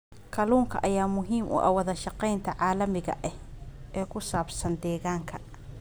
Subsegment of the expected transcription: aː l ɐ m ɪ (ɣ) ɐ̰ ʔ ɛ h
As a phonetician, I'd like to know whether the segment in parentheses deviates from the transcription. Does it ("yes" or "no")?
no